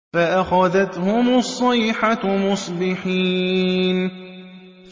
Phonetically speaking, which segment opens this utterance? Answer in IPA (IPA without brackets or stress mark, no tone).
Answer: f